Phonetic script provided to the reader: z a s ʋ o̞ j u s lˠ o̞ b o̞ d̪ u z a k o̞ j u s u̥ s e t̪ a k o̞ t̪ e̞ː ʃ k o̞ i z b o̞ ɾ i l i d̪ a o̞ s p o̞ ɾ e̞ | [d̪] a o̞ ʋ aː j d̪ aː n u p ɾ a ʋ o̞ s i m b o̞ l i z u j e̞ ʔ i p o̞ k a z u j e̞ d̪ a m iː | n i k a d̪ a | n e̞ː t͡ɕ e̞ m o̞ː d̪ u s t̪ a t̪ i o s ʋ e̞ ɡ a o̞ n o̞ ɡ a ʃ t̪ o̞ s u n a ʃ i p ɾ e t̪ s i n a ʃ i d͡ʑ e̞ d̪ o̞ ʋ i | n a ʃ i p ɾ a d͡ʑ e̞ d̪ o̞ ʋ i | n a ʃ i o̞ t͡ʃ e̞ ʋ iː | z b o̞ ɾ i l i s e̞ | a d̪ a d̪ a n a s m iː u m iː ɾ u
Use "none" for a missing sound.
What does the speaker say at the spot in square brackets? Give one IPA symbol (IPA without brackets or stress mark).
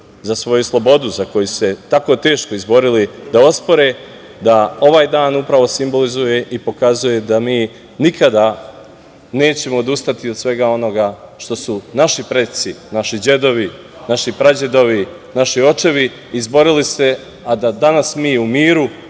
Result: d̪